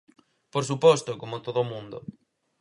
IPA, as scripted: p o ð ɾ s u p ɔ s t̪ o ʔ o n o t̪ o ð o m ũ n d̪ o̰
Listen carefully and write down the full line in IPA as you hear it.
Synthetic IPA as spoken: p o ɾ s u p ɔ s t̪ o k o m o t̪ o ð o m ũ n d̪ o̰